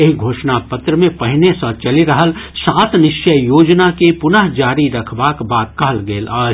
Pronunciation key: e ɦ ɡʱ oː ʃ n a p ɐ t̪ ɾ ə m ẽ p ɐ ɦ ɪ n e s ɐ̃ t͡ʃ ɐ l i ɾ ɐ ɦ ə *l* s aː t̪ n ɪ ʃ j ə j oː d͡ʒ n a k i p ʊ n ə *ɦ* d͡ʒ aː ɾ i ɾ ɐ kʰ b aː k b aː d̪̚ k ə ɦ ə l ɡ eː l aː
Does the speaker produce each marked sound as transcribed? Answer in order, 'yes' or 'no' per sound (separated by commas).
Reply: yes, yes